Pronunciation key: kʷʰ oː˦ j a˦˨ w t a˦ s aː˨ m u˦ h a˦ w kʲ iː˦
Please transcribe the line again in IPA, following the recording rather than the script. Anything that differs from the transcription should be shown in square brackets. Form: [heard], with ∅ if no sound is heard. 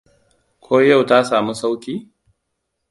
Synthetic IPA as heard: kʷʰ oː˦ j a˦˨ w t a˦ s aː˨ m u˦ [s] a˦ w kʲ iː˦